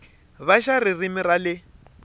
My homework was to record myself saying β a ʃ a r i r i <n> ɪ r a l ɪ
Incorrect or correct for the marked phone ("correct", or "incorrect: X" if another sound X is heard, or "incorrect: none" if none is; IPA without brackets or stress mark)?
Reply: incorrect: m